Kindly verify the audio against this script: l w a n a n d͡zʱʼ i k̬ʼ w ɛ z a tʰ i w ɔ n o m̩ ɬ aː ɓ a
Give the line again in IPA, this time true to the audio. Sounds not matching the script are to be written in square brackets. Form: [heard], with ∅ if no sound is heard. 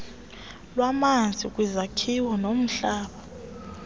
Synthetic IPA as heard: l w a [m] a n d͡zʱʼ i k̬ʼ w [i] z a [kʰ] i w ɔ n o m̩ ɬ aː ɓ a